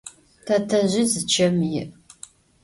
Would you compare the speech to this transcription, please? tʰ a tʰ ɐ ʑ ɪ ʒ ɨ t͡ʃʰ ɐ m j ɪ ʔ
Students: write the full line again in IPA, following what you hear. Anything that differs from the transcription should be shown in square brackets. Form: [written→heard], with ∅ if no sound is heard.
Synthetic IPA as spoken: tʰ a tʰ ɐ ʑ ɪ [ʒ→z] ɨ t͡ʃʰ ɐ m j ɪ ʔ